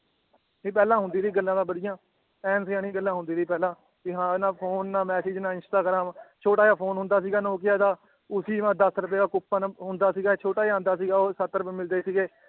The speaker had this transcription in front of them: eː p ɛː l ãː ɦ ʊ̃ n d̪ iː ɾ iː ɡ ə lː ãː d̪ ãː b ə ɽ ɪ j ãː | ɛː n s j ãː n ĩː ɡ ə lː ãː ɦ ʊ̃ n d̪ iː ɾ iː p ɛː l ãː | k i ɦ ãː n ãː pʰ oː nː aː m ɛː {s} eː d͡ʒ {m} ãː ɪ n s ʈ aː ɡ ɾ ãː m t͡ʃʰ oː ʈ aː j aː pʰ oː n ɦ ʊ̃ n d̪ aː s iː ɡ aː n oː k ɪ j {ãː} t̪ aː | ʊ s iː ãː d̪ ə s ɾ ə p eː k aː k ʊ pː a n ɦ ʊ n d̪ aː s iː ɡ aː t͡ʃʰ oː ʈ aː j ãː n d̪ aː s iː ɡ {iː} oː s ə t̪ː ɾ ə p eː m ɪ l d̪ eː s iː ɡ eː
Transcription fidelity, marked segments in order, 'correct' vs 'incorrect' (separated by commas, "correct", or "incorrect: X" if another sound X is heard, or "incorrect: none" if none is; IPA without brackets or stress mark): correct, incorrect: n, incorrect: aː, incorrect: aː